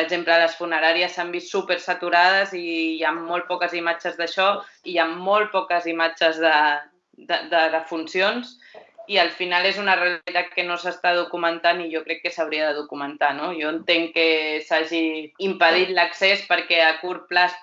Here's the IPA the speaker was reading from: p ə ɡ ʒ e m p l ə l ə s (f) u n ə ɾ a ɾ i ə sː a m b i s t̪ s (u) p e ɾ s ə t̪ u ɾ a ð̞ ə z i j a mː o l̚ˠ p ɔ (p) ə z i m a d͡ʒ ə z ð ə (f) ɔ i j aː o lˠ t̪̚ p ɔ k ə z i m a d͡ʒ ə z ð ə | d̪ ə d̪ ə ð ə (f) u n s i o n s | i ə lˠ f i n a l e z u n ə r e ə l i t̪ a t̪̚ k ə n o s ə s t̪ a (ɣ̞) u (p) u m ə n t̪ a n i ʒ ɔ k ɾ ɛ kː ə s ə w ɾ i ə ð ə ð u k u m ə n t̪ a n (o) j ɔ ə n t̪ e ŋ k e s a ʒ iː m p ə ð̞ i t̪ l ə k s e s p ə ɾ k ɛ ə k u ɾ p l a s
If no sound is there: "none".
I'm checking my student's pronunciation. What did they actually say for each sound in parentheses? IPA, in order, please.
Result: f, u, k, ʃ, f, ð̞, k, o

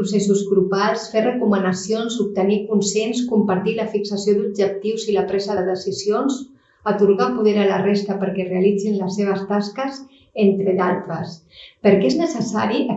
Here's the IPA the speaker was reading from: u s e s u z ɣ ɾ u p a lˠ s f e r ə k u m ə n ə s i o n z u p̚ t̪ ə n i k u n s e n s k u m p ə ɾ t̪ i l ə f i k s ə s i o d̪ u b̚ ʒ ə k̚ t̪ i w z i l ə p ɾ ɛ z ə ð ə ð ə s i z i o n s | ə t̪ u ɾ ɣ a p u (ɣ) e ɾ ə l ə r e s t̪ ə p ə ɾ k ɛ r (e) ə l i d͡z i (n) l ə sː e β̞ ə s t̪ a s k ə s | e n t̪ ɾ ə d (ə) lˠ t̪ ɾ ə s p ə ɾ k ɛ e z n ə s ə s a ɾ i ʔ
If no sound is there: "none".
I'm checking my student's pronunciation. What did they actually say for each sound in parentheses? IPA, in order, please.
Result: ð, e, n, a

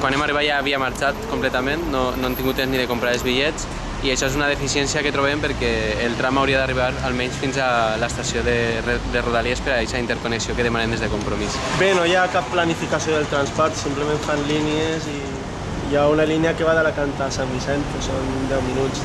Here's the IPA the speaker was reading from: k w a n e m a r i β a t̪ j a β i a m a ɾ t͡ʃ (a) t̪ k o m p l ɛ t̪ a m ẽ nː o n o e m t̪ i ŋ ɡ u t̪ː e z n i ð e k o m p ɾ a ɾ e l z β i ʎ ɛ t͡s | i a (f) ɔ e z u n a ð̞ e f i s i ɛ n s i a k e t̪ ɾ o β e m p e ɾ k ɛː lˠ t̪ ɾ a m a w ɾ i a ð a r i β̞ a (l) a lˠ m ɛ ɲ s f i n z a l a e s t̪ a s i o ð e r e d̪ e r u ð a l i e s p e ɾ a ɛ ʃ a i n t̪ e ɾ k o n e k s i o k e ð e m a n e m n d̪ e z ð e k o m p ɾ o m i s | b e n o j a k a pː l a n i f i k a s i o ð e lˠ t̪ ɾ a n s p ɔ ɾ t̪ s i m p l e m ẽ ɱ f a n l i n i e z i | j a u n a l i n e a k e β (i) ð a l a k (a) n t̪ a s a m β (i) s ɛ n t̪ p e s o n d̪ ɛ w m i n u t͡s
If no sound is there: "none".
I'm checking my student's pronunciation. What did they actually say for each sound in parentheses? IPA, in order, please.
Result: a, ʃ, ɾ, a, a, i

